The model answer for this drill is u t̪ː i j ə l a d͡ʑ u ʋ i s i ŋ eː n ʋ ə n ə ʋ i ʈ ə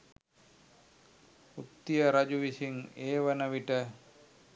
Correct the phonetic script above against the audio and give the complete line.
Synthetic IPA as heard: u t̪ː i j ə ɾ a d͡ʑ u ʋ i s i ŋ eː ʋ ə n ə ʋ i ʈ ə